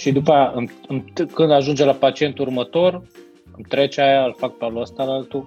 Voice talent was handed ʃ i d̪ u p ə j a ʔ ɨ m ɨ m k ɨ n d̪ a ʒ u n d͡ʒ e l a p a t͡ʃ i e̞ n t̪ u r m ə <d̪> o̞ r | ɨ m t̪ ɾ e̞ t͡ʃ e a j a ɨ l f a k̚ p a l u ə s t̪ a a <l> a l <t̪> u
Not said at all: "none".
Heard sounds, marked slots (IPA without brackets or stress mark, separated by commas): t̪, l, t̪